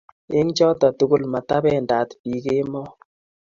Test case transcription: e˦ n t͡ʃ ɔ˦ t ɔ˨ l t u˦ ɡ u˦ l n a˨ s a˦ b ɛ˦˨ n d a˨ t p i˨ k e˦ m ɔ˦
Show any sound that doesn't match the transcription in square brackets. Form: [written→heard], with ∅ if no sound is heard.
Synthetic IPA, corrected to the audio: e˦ [n→ŋ] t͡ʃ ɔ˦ t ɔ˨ [l→∅] t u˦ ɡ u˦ l [n→m] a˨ [s→t] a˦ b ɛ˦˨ n d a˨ t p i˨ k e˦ m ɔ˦